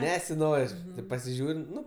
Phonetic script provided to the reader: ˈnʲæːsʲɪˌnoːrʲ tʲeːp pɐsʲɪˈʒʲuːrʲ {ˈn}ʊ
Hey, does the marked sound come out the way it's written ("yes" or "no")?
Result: yes